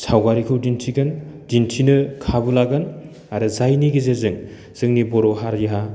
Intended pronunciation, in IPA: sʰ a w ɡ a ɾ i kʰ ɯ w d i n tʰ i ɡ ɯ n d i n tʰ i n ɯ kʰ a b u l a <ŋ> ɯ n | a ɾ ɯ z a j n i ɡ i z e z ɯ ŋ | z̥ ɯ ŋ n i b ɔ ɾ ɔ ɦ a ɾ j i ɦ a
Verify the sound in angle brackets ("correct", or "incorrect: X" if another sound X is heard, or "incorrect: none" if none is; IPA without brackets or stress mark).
incorrect: ɡ